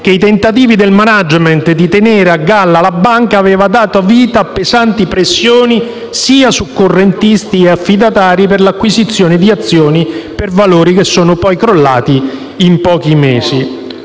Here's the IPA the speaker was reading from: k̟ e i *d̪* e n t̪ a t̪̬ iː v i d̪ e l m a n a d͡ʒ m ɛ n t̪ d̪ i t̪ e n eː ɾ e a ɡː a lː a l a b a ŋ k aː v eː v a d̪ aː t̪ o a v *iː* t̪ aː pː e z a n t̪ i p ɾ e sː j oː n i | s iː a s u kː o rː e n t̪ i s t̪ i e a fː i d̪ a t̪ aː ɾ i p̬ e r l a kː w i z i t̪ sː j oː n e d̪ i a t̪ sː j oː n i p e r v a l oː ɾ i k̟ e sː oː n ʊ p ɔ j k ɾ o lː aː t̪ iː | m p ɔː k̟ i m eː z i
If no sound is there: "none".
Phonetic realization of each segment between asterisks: t̪, iː

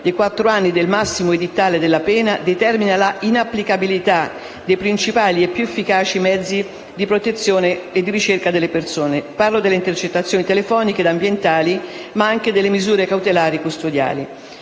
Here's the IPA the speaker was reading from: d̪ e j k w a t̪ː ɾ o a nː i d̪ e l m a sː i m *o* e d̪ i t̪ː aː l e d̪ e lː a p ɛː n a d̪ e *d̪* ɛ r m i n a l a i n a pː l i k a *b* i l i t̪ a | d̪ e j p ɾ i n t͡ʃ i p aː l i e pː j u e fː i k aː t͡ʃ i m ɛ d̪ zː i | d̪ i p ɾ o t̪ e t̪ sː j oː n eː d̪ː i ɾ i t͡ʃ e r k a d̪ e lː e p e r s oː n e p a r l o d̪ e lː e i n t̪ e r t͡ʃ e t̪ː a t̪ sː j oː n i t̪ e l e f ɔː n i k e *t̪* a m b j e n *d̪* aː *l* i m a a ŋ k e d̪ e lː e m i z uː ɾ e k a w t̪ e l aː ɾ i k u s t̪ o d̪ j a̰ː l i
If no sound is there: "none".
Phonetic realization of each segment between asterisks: o, t̪, b, d̪, t̪, l

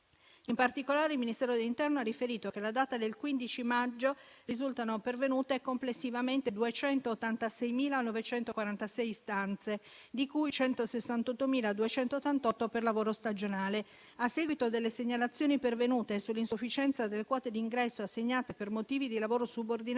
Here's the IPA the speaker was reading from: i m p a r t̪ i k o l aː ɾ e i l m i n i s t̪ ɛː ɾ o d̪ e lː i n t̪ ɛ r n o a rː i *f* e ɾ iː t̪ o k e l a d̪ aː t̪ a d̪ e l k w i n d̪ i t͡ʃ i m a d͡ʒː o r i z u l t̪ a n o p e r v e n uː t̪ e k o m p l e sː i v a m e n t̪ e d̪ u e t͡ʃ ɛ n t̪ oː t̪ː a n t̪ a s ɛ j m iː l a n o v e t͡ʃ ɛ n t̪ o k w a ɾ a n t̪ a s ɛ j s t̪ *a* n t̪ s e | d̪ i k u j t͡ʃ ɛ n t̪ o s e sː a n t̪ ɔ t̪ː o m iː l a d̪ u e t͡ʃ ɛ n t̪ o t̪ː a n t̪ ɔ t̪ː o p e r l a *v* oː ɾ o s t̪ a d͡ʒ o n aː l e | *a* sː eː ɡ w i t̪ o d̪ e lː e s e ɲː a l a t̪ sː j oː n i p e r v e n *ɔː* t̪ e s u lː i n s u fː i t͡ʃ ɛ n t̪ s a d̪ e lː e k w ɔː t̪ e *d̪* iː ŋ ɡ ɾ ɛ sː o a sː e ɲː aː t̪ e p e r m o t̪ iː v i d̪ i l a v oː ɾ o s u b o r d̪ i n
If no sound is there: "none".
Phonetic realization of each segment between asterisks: f, a, v, a, uː, d̪

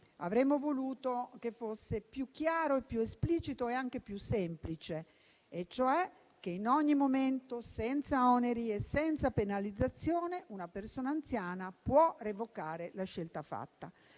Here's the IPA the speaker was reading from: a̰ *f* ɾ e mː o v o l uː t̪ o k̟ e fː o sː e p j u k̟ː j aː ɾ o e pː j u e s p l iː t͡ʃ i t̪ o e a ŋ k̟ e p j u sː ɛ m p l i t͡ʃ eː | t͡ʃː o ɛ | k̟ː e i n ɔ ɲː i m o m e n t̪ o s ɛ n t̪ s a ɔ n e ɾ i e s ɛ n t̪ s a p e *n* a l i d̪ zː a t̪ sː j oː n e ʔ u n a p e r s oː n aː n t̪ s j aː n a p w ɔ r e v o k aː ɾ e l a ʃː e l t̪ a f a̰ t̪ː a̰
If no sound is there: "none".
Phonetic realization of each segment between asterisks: v, n

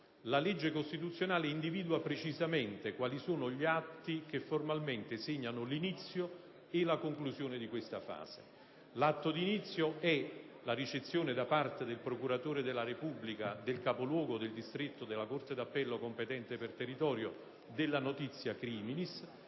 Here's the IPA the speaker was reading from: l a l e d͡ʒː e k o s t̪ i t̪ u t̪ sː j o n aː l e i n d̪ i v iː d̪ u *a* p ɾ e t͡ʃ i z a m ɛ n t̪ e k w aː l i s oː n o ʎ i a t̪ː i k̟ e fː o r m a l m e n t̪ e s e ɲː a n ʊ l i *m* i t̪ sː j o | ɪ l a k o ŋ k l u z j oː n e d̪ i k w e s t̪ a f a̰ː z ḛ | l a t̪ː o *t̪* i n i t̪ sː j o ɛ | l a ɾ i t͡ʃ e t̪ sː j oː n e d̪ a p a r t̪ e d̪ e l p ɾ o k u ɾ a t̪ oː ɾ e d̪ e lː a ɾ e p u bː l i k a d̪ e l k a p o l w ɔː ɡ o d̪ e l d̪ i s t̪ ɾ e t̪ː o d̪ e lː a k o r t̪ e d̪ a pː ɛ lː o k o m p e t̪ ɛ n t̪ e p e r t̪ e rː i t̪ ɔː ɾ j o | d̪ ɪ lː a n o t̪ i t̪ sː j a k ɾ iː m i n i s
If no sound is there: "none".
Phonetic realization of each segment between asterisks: a, n, d̪

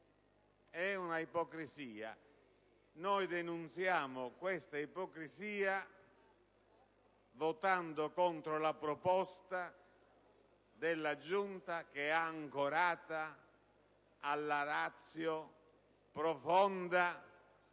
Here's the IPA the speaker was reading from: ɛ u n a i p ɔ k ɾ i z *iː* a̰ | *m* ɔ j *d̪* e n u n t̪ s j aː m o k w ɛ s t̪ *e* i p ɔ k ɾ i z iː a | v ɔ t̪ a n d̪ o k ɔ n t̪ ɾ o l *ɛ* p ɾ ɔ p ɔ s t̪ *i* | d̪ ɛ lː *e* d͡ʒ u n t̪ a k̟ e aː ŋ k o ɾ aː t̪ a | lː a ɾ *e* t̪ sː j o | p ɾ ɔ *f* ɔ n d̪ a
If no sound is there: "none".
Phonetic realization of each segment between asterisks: iː, n, d̪, a, a, a, a, a, f

